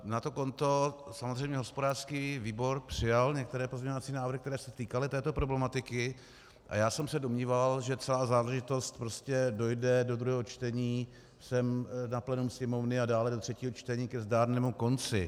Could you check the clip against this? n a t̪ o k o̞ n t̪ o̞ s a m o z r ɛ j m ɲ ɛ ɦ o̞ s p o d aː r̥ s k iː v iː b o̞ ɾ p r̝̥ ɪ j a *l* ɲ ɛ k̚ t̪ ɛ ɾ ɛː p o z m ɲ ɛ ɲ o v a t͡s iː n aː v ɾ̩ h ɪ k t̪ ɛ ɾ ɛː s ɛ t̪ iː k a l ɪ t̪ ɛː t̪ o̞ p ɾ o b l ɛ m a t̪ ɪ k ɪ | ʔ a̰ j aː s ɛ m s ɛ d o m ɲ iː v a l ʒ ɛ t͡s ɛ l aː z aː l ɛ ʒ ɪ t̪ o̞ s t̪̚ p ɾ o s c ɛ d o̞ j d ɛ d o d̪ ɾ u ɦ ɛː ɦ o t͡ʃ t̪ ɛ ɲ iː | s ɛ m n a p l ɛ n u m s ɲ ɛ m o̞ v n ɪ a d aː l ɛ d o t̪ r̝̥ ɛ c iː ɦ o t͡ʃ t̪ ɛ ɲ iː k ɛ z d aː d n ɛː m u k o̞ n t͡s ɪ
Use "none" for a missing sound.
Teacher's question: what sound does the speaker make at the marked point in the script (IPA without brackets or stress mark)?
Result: l